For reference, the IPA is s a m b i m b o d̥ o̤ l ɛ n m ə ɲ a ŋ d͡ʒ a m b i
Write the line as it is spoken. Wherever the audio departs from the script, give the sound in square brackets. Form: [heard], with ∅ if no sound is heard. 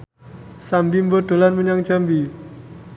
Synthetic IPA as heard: s a m b i m b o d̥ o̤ l [a] n m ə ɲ a ŋ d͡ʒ a m b i